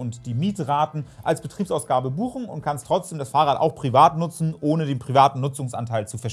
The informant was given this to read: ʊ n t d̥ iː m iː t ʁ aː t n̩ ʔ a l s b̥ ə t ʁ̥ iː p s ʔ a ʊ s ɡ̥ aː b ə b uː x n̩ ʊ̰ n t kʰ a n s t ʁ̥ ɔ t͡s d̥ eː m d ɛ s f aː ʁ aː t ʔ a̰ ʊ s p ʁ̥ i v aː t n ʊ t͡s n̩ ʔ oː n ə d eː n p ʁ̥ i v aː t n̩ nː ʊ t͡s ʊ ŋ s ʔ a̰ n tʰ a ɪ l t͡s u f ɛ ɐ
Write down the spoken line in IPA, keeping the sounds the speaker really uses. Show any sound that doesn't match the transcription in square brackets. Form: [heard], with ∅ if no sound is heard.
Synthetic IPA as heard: ʊ n t d̥ iː m iː t ʁ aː t n̩ ʔ a l s b̥ ə t ʁ̥ iː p s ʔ a ʊ s ɡ̥ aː b ə b uː x n̩ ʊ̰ n t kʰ a n s t ʁ̥ ɔ t͡s d̥ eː m d [a] s f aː ʁ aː t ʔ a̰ ʊ [x] p ʁ̥ i v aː t n ʊ t͡s n̩ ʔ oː n ə d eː n p ʁ̥ i v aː t n̩ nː ʊ t͡s ʊ ŋ s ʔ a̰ n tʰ a ɪ l t͡s u f ɛ ɐ